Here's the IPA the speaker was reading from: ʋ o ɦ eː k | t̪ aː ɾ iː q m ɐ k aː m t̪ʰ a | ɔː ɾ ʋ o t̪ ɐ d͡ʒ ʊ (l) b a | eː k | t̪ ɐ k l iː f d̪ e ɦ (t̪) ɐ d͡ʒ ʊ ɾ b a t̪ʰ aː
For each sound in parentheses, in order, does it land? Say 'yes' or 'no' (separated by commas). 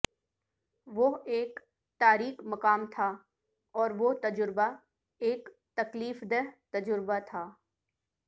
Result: no, yes